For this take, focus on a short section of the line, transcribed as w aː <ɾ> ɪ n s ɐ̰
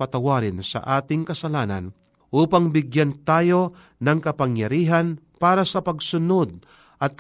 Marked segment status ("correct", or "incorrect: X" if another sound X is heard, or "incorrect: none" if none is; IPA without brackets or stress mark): correct